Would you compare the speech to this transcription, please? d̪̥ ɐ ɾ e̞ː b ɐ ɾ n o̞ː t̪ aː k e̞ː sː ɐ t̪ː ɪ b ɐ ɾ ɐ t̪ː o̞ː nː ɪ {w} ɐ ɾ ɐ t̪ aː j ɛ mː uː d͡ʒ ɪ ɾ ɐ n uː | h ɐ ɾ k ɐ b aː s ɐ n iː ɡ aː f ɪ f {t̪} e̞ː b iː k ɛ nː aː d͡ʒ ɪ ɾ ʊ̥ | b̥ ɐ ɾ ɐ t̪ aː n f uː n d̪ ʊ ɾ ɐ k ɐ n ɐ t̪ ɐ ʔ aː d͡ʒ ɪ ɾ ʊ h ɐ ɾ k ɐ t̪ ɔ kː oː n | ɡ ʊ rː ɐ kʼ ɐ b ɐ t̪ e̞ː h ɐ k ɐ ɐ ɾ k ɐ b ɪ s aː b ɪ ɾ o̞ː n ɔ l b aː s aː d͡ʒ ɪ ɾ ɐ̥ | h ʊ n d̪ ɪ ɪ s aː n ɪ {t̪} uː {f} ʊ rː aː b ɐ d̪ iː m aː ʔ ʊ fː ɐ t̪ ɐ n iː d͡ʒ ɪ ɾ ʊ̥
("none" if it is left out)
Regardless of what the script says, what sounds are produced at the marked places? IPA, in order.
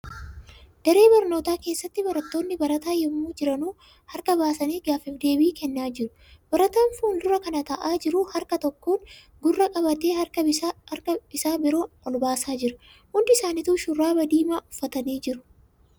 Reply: b, d̪, t̪, ʃ

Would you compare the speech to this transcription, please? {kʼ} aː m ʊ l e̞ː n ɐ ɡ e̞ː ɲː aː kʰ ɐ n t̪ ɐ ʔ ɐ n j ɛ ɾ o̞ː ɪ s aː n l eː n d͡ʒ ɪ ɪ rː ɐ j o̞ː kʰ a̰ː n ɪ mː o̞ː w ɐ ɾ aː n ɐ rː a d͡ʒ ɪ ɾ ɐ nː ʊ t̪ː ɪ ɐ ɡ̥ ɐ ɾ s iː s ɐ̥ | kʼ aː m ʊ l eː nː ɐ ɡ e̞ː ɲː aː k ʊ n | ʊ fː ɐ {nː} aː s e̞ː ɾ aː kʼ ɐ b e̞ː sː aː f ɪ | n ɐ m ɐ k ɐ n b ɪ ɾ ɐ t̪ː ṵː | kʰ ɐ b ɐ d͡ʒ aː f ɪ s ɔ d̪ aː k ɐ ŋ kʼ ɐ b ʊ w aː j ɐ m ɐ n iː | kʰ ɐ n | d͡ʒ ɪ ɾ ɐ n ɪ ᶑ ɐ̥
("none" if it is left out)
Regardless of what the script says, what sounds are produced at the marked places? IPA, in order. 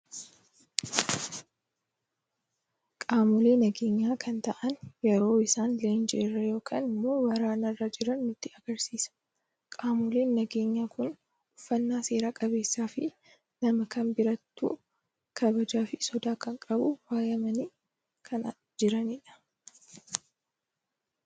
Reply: kʼ, nː

